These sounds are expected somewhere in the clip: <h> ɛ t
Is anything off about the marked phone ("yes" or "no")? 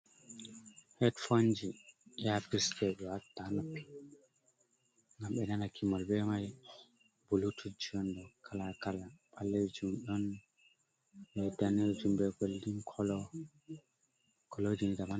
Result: no